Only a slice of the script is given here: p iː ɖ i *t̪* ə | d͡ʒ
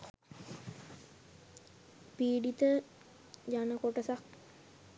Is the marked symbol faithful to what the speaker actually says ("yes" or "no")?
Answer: yes